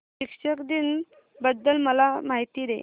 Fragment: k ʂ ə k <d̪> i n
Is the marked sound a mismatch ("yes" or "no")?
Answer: no